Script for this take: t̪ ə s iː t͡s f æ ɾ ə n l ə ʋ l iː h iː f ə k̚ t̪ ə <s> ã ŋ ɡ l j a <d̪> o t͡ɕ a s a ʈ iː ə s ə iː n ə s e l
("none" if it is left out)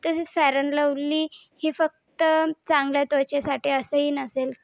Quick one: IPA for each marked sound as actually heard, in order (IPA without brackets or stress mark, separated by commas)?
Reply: t͡s, t̪